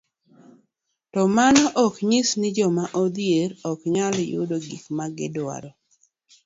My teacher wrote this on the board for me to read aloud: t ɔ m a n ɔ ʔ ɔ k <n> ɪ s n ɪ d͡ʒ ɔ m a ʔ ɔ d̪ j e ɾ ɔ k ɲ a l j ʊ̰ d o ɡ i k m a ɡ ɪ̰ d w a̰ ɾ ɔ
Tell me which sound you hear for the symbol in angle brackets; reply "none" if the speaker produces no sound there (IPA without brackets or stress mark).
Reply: ɲ